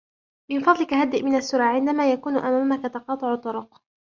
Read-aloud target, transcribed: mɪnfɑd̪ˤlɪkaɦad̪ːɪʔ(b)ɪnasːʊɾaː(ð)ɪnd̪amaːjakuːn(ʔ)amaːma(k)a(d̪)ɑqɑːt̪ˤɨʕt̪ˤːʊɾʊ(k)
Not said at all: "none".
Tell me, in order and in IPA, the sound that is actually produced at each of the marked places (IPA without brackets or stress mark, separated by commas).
m, ʕ, ʔ, k, t̪, q